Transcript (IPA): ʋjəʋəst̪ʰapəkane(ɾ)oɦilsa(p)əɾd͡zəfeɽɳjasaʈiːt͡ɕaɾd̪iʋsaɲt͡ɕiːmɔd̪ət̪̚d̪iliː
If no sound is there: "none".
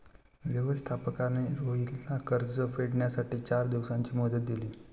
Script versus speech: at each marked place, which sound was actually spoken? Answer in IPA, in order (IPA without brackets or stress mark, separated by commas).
ɾ, k